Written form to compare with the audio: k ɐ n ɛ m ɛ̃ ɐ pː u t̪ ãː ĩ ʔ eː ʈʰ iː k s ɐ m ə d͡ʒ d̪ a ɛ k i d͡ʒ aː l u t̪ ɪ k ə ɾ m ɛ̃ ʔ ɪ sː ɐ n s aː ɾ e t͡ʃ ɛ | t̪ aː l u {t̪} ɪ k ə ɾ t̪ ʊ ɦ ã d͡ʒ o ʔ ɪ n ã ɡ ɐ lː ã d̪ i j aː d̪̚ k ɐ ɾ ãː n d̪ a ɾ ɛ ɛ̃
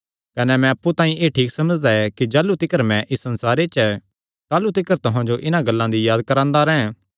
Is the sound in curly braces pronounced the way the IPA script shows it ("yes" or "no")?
yes